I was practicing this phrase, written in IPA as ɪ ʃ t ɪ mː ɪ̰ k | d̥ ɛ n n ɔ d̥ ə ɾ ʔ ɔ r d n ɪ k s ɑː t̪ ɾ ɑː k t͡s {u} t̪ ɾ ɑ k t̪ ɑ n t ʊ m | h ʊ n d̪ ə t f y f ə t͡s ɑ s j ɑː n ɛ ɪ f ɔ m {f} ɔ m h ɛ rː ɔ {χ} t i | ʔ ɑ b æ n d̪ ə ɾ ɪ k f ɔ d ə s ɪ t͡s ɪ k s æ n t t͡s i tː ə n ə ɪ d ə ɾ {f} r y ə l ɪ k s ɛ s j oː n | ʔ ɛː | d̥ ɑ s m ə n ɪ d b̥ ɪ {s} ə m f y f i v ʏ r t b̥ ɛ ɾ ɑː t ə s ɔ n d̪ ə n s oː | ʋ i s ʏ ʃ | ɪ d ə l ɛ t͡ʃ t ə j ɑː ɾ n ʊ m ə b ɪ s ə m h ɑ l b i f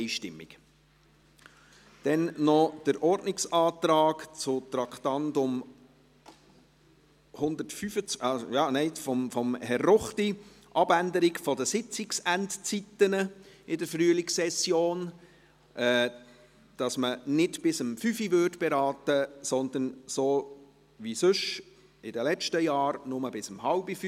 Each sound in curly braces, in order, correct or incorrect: incorrect: ʊ, correct, correct, correct, correct

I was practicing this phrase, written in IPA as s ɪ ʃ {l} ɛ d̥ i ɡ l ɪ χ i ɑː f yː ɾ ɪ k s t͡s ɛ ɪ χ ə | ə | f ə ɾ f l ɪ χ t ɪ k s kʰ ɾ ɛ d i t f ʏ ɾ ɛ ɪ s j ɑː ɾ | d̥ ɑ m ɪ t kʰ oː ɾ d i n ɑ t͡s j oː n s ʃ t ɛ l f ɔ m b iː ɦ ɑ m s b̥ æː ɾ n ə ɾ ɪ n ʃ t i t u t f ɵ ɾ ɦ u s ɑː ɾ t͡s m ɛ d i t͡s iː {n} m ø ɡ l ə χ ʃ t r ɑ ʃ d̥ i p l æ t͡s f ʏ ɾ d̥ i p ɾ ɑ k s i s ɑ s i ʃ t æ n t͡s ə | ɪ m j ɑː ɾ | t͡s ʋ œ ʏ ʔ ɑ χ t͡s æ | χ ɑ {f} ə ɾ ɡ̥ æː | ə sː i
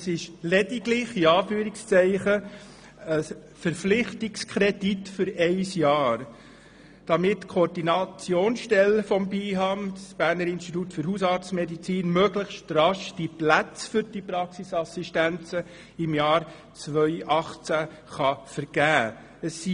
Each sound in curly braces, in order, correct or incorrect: correct, correct, correct

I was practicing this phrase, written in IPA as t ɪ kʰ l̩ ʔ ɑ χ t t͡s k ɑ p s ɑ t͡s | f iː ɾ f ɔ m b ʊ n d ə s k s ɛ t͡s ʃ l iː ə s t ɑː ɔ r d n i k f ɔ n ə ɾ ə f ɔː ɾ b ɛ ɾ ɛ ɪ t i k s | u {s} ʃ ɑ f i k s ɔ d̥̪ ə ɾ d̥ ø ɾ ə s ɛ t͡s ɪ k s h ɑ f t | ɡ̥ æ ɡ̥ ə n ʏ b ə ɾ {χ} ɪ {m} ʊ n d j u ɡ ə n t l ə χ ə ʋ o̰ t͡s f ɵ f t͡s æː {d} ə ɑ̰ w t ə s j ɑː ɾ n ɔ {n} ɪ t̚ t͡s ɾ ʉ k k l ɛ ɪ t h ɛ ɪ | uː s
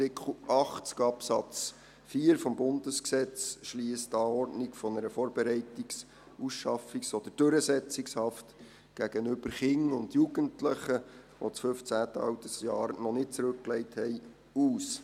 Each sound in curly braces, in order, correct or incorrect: correct, correct, incorrect: ŋ, incorrect: t, correct

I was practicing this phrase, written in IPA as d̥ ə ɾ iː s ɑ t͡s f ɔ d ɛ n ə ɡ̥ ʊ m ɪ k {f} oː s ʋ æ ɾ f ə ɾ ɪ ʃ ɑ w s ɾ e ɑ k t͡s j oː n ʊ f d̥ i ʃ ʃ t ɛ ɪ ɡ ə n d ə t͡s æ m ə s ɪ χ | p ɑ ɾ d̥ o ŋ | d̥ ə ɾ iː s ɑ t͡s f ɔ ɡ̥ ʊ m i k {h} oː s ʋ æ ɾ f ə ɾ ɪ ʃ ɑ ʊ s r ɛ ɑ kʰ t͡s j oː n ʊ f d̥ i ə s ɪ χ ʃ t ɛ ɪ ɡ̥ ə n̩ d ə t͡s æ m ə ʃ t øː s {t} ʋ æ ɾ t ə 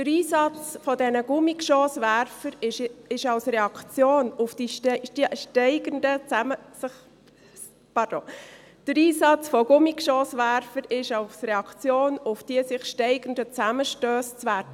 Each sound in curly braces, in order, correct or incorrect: incorrect: ʃ, incorrect: ʃ, incorrect: t͡s

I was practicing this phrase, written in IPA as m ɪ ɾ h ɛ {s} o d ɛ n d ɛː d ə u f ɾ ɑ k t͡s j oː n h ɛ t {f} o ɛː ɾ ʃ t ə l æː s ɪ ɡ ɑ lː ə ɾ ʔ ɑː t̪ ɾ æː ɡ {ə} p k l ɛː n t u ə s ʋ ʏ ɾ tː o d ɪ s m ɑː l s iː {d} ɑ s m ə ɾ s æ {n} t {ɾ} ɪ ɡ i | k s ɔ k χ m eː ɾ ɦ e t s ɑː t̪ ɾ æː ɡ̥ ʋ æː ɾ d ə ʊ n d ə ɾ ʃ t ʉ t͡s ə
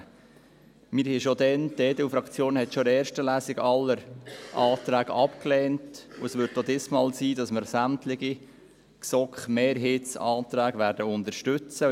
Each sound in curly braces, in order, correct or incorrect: incorrect: ʃ, incorrect: ʃ, incorrect: ɑ, correct, incorrect: m, incorrect: l

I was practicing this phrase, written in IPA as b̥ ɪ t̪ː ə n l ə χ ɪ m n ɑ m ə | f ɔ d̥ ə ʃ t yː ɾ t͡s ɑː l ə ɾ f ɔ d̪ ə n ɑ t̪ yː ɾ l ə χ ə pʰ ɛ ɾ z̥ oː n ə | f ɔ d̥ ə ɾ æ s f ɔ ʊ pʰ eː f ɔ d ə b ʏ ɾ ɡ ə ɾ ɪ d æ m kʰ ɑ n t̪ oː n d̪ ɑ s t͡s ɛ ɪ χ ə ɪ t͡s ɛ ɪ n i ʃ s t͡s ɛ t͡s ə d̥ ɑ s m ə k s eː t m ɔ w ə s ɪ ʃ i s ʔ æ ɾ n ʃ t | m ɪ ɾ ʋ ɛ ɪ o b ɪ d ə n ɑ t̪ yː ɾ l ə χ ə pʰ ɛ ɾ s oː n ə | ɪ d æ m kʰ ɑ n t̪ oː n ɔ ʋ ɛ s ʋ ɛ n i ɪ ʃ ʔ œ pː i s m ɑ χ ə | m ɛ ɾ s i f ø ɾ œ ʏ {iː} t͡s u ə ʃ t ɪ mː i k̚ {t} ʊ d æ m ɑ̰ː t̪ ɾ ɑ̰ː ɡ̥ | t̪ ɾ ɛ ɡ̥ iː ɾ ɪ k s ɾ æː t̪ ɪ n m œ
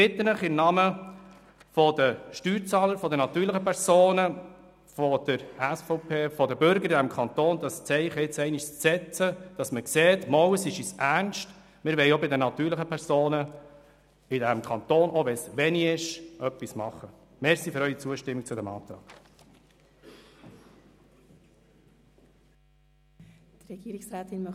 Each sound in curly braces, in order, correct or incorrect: incorrect: i, incorrect: t͡s

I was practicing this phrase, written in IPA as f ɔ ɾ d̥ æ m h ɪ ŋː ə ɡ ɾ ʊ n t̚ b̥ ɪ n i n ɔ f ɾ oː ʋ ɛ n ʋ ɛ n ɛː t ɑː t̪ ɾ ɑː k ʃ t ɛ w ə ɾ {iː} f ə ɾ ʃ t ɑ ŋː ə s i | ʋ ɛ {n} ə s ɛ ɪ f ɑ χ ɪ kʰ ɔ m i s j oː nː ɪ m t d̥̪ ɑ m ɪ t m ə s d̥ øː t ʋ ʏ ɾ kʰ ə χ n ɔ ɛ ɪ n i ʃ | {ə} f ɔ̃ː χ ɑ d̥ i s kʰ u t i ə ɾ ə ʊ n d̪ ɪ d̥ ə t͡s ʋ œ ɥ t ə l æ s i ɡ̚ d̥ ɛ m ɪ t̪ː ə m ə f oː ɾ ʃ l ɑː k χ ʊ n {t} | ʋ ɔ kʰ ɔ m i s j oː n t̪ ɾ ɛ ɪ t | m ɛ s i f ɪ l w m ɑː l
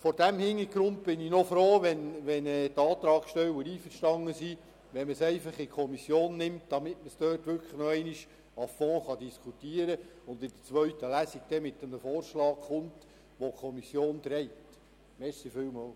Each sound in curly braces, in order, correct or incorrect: correct, incorrect: m, incorrect: ɑ, correct

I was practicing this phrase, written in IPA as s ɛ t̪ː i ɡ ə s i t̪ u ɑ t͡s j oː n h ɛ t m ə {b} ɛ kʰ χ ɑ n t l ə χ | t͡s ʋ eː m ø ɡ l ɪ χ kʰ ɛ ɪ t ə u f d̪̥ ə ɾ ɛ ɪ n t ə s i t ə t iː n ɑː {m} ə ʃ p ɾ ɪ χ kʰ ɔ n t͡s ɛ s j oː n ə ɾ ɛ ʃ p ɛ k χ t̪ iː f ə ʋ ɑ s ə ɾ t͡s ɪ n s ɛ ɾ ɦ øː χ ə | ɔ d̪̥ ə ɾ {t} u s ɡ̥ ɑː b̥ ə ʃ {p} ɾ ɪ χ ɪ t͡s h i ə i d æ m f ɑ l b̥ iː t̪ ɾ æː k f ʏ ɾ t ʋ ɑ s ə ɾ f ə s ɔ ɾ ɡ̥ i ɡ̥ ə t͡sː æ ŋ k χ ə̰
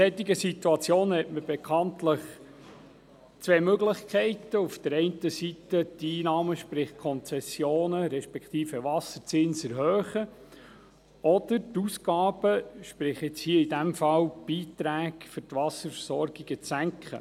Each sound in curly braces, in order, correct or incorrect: correct, correct, correct, correct

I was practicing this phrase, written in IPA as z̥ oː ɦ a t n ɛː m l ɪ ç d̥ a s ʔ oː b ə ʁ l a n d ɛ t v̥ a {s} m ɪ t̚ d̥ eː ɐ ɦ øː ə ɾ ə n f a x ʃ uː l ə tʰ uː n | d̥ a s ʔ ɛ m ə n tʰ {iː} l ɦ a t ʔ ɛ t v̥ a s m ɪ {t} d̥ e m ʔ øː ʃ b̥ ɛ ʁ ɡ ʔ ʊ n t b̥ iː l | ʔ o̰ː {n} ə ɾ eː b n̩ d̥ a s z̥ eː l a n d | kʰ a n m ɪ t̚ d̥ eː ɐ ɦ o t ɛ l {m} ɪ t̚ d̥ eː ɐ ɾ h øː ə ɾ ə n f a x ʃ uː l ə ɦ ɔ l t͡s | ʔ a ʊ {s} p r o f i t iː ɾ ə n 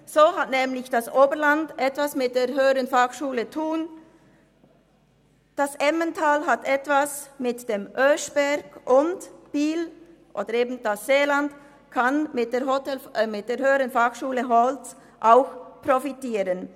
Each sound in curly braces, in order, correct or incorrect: correct, incorrect: aː, correct, incorrect: d, correct, incorrect: x

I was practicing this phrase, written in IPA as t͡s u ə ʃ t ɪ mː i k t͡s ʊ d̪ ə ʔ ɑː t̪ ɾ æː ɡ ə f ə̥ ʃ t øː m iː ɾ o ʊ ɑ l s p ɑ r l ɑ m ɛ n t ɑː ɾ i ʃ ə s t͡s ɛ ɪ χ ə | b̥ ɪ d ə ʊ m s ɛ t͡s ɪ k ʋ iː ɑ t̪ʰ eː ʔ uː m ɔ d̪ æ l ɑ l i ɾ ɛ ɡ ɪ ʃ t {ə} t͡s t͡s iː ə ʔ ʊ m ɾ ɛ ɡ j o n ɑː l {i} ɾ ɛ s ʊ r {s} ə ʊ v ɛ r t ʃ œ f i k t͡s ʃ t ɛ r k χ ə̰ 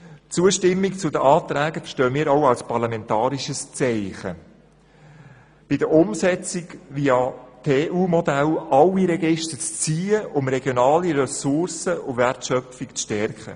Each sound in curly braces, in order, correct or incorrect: correct, correct, correct

